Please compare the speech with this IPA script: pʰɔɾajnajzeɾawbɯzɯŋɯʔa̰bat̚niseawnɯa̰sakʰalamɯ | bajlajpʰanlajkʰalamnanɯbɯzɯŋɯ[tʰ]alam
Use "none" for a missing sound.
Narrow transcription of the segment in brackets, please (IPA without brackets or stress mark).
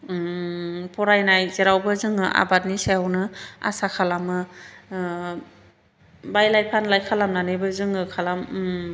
kʰ